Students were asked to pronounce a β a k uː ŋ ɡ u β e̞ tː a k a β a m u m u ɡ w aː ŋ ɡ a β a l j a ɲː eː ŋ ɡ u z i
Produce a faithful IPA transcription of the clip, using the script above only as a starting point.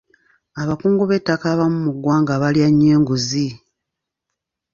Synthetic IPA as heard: a β a k uː ŋ ɡ u β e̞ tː a k a β a m u m u ɡ w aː ŋ ɡ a β a l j a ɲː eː ŋ ɡ u z i